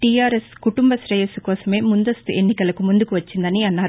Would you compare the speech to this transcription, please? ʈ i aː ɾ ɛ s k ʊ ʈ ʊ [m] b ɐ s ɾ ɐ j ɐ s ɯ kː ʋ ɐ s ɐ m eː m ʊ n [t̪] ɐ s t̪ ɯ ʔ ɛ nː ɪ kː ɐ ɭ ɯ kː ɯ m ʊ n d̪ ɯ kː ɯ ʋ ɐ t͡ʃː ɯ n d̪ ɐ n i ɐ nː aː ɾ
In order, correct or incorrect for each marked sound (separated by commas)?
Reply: correct, incorrect